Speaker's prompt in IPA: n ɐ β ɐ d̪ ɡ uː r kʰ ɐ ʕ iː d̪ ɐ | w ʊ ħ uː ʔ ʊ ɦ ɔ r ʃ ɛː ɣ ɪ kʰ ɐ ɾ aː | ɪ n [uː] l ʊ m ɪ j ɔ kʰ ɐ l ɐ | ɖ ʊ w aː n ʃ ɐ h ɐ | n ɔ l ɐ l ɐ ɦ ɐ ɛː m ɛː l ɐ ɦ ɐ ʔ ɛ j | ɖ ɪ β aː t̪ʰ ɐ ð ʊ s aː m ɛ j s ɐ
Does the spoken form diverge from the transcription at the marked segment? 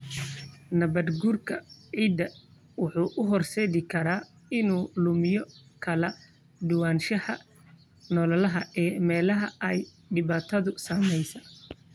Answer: no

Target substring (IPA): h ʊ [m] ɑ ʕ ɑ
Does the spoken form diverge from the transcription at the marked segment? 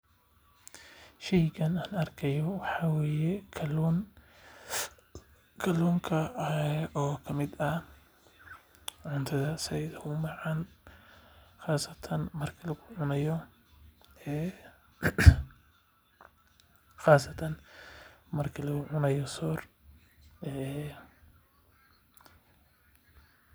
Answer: no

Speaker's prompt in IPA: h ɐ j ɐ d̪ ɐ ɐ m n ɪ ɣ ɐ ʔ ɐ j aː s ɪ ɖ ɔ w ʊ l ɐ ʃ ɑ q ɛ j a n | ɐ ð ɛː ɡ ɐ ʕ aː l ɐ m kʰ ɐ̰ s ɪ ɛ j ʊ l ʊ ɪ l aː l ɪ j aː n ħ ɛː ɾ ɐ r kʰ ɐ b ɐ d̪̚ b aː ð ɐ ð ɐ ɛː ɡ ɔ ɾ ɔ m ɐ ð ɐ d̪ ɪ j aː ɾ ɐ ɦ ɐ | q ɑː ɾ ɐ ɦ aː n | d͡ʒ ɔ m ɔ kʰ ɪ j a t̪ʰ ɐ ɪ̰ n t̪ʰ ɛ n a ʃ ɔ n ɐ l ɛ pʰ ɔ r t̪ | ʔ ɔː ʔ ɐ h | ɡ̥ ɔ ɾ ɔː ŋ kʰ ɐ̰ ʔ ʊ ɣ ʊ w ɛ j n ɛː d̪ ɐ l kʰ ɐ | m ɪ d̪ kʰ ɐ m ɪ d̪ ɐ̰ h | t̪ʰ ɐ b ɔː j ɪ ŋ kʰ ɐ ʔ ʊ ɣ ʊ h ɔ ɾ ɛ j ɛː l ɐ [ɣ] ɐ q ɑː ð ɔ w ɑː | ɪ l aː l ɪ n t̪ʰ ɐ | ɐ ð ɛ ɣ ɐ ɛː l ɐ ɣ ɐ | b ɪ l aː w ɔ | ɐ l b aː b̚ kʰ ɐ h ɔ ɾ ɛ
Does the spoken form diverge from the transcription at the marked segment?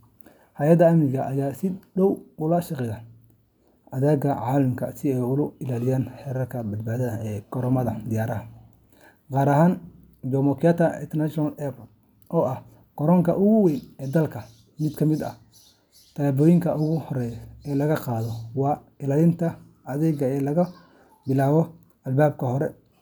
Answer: no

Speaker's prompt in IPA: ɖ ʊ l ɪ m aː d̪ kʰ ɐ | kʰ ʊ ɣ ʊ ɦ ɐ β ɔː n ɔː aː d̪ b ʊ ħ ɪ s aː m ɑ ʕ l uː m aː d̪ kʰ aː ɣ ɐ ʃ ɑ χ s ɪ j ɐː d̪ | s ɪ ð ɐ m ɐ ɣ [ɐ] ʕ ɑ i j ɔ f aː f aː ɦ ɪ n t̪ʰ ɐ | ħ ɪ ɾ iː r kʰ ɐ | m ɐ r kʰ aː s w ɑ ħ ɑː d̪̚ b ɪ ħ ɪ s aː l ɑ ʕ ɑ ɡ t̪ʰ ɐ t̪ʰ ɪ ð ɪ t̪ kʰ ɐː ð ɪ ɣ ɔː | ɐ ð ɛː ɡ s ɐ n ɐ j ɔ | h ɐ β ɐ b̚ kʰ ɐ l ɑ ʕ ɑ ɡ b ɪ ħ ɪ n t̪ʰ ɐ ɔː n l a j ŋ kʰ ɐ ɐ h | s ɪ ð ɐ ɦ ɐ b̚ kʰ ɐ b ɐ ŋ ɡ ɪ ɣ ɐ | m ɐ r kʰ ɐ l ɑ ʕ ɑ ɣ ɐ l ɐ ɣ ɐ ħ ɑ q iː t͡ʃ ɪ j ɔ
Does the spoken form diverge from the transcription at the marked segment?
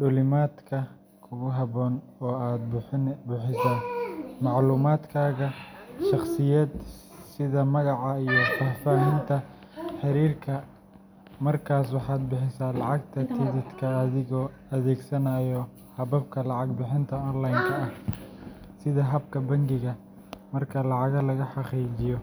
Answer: yes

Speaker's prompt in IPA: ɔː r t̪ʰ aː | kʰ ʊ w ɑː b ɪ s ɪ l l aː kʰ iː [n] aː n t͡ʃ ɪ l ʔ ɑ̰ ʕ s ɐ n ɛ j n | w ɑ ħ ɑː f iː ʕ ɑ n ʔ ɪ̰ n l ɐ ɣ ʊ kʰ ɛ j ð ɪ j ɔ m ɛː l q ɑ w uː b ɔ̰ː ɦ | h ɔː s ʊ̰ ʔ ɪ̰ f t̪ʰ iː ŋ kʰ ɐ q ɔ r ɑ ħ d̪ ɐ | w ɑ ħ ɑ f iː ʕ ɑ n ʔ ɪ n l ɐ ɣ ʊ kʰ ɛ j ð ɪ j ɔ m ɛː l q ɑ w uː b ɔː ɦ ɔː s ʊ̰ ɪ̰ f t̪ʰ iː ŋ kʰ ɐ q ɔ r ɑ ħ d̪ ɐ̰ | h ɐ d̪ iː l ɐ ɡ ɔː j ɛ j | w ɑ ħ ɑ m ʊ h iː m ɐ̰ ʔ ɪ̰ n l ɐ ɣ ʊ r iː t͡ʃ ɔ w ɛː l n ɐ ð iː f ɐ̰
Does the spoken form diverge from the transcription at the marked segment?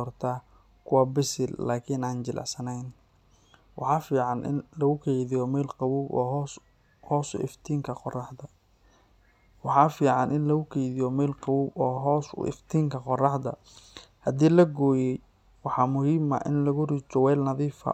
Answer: no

